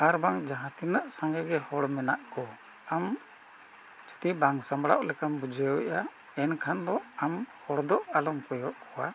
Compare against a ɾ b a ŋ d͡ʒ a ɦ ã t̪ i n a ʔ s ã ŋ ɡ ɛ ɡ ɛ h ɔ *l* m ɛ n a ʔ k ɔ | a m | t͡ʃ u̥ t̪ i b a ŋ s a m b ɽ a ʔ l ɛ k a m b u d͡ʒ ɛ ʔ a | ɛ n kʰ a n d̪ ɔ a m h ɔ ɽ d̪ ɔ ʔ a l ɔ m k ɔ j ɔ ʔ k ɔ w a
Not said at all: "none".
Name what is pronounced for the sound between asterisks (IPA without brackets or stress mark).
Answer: ɽ